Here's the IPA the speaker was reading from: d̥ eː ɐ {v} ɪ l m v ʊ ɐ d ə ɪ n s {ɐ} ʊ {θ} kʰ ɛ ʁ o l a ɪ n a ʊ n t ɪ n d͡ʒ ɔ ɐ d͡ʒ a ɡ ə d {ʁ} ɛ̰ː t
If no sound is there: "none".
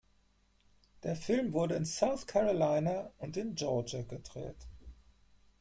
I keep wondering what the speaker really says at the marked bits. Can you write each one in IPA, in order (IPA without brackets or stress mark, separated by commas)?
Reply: f, a, θ, ʁ